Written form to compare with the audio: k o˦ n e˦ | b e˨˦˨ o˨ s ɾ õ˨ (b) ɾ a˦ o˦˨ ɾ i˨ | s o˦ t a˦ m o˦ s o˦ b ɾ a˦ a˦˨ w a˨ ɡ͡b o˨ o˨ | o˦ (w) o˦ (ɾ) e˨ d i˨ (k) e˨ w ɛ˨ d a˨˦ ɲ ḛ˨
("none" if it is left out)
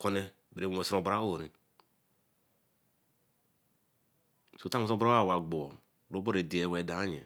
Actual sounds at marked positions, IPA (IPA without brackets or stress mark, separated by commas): b, b, ɾ, none